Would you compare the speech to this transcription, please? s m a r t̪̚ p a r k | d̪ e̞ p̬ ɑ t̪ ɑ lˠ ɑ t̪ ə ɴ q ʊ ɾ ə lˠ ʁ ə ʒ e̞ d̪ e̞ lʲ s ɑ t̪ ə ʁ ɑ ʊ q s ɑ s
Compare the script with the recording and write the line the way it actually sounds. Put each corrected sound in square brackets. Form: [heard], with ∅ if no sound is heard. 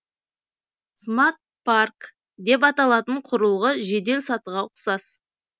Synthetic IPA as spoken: s m a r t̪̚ p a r k | d̪ e̞ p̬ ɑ t̪ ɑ lˠ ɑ t̪ ə ɴ [qʰ] ʊ ɾ ə lˠ ʁ ə ʒ e̞ d̪ e̞ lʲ s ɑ t̪ ə ʁ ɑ ʊ q s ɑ s